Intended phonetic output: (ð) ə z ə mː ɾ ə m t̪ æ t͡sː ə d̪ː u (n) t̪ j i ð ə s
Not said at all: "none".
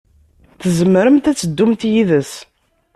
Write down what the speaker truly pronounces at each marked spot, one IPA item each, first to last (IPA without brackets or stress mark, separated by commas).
θ, m